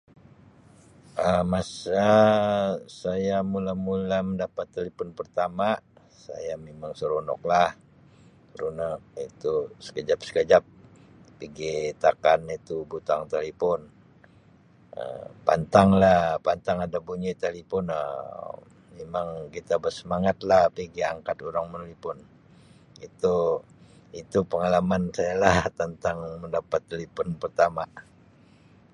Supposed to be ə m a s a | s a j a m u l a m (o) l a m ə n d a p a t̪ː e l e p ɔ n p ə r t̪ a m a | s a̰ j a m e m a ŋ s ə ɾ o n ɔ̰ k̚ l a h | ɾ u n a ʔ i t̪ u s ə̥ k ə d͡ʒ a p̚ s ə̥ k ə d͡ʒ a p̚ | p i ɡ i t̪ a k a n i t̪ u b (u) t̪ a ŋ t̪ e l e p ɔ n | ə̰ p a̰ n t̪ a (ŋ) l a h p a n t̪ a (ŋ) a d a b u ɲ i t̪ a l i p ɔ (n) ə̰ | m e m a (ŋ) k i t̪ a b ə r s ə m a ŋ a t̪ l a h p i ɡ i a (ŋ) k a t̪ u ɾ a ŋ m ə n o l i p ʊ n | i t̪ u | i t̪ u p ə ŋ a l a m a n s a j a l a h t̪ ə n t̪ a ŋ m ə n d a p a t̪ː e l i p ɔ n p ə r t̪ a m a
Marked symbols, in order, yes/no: no, yes, yes, yes, yes, yes, yes

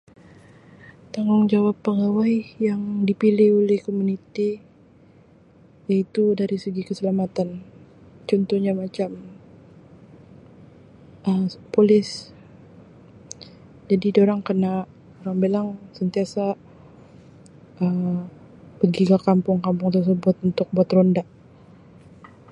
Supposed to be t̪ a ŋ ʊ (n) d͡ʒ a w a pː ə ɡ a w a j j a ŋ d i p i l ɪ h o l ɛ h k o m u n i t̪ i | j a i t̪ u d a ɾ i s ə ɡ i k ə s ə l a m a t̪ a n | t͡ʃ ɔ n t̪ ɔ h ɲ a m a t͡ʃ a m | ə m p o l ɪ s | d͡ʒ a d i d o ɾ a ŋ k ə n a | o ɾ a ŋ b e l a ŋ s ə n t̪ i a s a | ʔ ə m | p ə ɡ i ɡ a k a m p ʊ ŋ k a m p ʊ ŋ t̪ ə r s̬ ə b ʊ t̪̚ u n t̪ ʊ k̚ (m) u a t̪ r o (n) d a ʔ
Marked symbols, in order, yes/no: no, no, yes

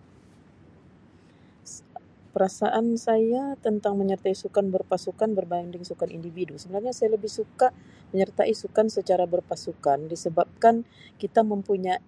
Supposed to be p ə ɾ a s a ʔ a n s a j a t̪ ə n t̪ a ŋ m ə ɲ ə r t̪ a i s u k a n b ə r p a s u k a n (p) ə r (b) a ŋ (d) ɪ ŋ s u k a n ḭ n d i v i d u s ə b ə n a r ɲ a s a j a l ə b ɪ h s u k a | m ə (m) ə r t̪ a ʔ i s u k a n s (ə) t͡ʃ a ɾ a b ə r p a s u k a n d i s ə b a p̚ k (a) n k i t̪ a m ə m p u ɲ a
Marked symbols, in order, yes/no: no, yes, yes, no, yes, yes

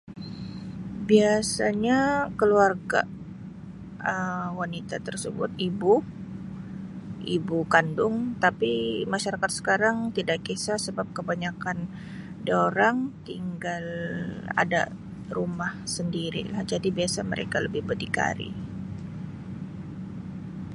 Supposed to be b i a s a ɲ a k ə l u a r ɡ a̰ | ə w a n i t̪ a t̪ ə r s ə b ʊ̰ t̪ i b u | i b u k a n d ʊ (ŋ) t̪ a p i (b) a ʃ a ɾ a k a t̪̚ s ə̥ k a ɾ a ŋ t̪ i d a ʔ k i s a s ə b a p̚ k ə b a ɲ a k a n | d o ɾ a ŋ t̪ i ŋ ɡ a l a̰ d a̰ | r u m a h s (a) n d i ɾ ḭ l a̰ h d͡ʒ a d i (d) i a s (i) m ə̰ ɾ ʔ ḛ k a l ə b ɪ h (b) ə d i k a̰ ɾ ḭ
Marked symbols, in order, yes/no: yes, no, no, no, no, yes

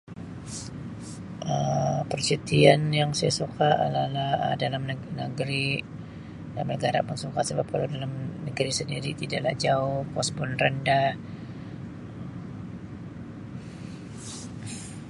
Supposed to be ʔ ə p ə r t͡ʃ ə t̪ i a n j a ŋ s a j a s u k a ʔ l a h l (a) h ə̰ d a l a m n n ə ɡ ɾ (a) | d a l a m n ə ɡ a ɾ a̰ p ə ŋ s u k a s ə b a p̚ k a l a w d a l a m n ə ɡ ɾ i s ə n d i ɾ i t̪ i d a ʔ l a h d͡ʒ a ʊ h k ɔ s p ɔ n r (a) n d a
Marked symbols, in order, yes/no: yes, no, no

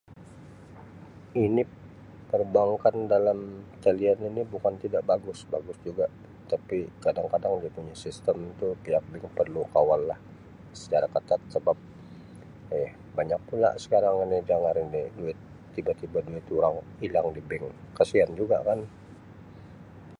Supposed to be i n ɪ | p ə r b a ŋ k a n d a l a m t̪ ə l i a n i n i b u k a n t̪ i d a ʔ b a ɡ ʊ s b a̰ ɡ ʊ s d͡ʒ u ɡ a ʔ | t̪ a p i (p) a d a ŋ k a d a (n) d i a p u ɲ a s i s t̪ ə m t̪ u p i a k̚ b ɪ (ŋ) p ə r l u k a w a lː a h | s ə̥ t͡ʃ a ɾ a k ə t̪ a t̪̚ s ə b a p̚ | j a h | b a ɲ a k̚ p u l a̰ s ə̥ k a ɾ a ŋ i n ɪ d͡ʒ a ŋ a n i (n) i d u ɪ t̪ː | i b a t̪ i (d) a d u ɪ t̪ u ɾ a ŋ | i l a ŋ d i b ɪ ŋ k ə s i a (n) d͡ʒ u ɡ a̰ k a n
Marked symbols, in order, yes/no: no, no, yes, yes, no, yes

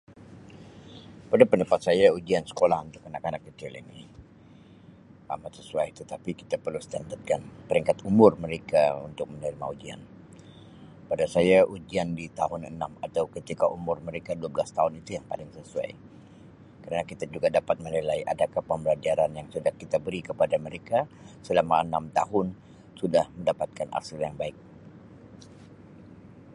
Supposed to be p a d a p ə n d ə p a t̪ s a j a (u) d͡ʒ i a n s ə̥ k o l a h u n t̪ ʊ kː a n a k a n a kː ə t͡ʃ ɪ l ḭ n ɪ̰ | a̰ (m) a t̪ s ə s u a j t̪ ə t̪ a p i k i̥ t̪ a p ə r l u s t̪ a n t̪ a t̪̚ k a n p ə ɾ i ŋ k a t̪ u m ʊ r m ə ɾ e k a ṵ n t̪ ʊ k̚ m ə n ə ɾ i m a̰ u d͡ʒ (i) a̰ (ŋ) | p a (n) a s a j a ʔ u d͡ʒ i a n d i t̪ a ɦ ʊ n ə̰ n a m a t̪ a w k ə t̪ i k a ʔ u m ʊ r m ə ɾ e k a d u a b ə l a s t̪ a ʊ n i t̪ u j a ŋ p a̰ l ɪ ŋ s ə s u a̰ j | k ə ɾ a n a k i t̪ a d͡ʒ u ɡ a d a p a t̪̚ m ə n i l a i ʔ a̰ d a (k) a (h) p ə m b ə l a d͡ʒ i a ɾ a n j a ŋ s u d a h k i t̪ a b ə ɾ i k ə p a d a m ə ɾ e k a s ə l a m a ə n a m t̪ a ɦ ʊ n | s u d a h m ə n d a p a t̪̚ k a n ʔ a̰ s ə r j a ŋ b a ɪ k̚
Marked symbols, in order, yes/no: yes, yes, yes, no, no, yes, yes

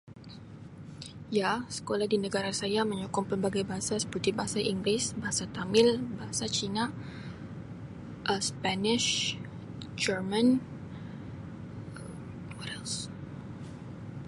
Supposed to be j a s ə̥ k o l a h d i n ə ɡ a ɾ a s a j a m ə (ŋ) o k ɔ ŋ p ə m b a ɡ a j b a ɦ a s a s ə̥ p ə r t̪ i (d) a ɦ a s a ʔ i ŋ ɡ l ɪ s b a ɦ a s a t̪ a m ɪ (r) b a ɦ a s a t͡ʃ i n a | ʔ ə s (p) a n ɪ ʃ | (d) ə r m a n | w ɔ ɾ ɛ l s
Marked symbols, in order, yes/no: no, no, no, yes, no

